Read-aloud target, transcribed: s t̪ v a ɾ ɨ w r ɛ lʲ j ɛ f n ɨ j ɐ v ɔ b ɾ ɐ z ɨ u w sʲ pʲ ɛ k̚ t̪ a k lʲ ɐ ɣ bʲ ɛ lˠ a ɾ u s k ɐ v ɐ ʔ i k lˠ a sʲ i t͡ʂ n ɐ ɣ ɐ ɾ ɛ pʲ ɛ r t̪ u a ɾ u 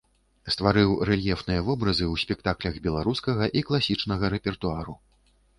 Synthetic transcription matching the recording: s t̪ v a ɾ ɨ w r ɛ lʲ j ɛ f n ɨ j ɐ v ɔ b ɾ ɐ z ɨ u w sʲ pʲ ɛ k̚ t̪ a k lʲ ɐ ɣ bʲ ɛ lˠ a ɾ u s k ɐ ɣ ɐ ʔ i k lˠ a sʲ i t͡ʂ n ɐ ɣ ɐ ɾ ɛ pʲ ɛ r t̪ u a ɾ u

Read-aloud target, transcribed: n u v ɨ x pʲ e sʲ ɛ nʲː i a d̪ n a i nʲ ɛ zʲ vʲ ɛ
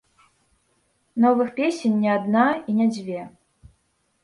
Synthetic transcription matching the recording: n ɔ v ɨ x pʲ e sʲ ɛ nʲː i a d̪ n a i nʲ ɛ d͡zʲ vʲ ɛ

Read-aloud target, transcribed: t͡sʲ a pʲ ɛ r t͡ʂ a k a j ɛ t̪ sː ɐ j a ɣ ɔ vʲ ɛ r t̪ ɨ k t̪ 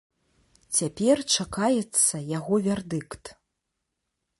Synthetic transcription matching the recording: t͡sʲ a pʲ ɛ r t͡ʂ a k a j ɛ t̪ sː ɐ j a ɣ ɔ vʲ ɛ r d̪ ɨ k t̪

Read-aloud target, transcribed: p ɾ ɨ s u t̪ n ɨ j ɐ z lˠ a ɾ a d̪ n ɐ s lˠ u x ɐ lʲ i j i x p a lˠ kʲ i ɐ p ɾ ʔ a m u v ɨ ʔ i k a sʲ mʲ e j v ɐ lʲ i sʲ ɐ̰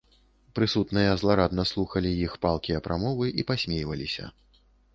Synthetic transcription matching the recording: p ɾ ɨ s u t̪ n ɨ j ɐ z lˠ a ɾ a d̪ n ɐ s lˠ u x ɐ lʲ i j i x p a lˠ kʲ i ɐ p ɾ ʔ a m ɔ v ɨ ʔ i p a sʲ mʲ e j v ɐ lʲ i sʲ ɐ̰

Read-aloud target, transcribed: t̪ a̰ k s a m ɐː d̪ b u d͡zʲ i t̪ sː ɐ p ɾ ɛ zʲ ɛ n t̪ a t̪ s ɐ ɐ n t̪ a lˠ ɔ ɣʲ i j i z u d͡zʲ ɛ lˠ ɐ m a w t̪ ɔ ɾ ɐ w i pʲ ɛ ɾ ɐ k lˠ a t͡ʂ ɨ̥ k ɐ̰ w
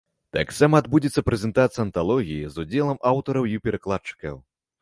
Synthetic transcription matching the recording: t̪ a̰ k s a m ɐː d̪ b u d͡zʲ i t̪ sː ɐ p ɾ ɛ zʲ ɛ n t̪ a t̪ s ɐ ɐ n t̪ a lˠ ɔ ɣʲ i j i z u d͡zʲ ɛ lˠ ɐ m a w t̪ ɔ ɾ ɐ w i pʲ ɛ ɾ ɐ k lˠ a t͡ʂ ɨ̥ k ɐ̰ w

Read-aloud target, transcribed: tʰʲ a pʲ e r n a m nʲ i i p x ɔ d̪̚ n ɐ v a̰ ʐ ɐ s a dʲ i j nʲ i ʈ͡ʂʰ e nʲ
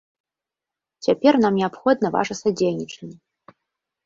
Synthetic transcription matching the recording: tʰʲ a pʲ e r n a m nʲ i a p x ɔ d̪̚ n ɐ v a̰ ʐ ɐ s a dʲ e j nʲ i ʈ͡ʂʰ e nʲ

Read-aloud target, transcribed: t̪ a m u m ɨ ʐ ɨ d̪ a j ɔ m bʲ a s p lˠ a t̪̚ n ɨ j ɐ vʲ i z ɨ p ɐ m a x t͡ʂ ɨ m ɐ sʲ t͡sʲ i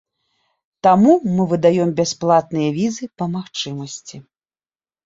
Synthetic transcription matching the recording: t̪ a m u m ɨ v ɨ d̪ a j ɔ m bʲ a s p lˠ a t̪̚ n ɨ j ɐ vʲ i z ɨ p ɐ m a x t͡ʂ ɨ m ɐ sʲ t͡sʲ i

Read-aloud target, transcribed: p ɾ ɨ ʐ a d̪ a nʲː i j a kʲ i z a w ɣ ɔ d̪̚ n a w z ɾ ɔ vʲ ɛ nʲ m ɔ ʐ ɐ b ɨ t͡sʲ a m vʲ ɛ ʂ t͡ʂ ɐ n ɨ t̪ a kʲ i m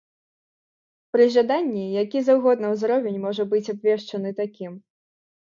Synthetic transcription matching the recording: p ɾ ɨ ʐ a d̪ a nʲː i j a kʲ i z a w ɣ ɔ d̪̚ n ɐ w z ɾ ɔ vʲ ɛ nʲ m ɔ ʐ ɐ b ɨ t͡sʲ a b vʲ ɛ ʂ t͡ʂ ɐ n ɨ t̪ a kʲ i m

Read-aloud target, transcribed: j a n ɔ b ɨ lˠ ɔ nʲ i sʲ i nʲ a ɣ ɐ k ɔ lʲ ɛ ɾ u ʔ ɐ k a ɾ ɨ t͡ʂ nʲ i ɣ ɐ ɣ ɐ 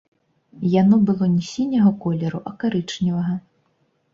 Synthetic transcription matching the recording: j a n ɔ b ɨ lˠ ɔ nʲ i sʲ i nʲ ɐ ɣ ɐ k ɔ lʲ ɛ ɾ u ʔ ɐ k a ɾ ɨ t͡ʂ nʲ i v ɐ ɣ ɐ

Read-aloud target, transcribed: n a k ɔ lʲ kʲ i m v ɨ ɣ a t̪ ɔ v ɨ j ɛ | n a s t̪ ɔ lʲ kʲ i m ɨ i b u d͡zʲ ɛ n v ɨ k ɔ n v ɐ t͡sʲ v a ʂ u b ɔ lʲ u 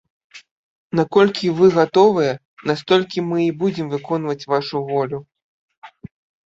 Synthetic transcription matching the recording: n a k ɔ lʲ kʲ i v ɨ ɣ a t̪ ɔ v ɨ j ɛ | n a s t̪ ɔ lʲ kʲ i m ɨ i b u d͡zʲ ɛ m v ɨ k ɔ n v ɐ t͡sʲ v a ʂ u v ɔ lʲ u

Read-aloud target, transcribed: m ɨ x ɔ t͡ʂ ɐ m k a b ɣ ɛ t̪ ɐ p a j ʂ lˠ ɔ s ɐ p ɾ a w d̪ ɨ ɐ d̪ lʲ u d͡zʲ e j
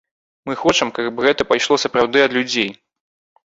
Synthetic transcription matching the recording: m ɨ x ɔ t͡ʂ ɐ m k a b ɣ ɛ t̪ ɐ p a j ʂ lˠ ɔ s ɐ p ɾ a w d̪ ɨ ɐ d̪ lʲ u d͡zʲ e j

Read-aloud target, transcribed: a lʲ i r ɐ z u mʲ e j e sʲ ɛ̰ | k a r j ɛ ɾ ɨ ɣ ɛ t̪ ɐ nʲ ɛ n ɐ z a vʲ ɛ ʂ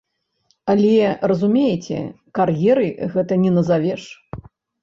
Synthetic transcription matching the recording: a lʲ ɛ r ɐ z u mʲ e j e t͡sʲ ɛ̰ | k a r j ɛ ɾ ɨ ɣ ɛ t̪ ɐ nʲ ɛ n ɐ z a vʲ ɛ ʂ

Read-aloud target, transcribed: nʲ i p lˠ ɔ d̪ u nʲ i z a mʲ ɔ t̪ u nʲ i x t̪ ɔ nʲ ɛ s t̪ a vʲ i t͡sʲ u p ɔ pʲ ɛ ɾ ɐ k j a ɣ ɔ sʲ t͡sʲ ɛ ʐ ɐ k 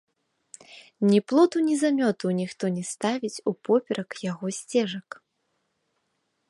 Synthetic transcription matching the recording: nʲ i p lˠ ɔ t̪ u nʲ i z a mʲ ɔ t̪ u nʲ i x t̪ ɔ nʲ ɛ s t̪ a vʲ i t͡sʲ u p ɔ pʲ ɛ ɾ ɐ k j a ɣ ɔ sʲ t͡sʲ ɛ ʐ ɐ k

